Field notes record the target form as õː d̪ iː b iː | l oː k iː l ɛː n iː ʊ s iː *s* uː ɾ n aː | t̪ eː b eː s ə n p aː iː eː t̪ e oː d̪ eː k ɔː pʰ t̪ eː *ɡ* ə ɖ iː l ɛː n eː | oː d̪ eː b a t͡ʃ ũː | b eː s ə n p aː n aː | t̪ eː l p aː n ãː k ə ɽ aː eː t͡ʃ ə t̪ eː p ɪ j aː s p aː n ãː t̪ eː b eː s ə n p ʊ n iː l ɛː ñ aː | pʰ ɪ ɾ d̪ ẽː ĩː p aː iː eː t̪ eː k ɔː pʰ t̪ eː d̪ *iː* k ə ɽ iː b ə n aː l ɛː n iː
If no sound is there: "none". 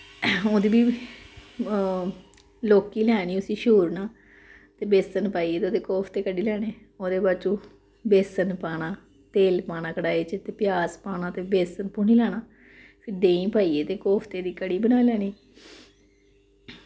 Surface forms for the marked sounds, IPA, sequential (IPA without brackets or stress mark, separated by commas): ʃ, k, iː